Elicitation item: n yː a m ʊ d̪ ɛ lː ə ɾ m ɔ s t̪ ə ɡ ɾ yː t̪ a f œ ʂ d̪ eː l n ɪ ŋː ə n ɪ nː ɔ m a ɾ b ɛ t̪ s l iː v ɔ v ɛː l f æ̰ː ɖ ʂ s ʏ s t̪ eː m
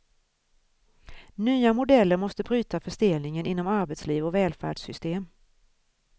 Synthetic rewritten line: n yː a m ʊ d̪ ɛ lː ə ɾ m ɔ s t̪ ə b ɾ yː t̪ a f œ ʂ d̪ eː l n ɪ ŋ ə n ɪ nː ɔ m a ɾ b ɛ t̪ s l iː v ɔ v ɛː l f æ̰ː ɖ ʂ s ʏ s t̪ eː m